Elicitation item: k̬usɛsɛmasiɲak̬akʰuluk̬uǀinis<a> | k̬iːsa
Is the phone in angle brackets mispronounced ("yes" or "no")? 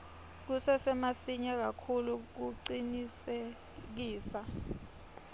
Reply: yes